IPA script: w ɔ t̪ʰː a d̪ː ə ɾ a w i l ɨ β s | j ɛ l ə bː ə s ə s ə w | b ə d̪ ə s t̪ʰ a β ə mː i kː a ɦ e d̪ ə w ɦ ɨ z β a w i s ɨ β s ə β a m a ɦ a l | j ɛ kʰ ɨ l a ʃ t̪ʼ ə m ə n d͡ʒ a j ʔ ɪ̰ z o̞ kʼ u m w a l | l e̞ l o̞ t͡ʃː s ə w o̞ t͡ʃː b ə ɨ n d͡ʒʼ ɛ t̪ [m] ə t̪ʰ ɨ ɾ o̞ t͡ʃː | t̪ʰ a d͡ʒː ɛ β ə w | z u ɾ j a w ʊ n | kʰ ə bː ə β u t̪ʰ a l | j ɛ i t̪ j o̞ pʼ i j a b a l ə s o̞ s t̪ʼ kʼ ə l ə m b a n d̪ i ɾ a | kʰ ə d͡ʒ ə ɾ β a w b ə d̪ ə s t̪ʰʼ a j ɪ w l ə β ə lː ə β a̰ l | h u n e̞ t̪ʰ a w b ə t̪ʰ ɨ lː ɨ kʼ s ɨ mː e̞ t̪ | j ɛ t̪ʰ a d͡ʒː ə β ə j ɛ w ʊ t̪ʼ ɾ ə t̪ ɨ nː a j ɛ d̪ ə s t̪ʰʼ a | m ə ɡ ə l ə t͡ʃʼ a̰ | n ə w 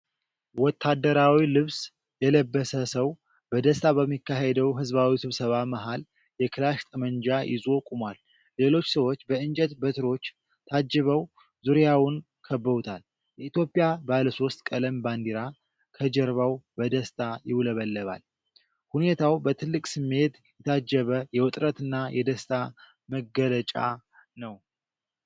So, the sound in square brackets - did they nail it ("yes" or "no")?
no